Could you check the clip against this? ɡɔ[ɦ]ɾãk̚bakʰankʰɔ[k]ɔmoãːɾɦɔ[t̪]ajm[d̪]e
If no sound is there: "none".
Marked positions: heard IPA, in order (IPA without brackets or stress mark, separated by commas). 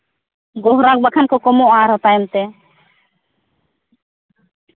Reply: ɦ, k, t̪, t̪